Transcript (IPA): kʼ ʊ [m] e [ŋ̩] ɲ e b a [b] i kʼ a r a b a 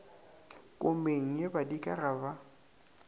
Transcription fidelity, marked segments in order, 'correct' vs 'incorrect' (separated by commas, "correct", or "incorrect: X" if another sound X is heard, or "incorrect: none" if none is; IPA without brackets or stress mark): correct, correct, incorrect: d